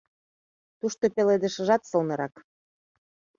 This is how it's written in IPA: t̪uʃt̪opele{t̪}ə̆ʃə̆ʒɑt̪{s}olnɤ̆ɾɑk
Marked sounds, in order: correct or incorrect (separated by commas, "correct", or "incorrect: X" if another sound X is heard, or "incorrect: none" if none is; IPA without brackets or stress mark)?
incorrect: d̪, correct